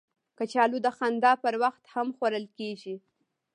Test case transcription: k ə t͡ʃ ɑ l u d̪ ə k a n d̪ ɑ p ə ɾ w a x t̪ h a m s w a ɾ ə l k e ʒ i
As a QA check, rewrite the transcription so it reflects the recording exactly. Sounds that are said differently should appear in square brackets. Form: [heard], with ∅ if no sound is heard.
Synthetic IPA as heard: k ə t͡ʃ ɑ l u d̪ ə [x] a n d̪ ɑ p ə ɾ w a x t̪ h a m [x] w a ɾ ə l k e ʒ i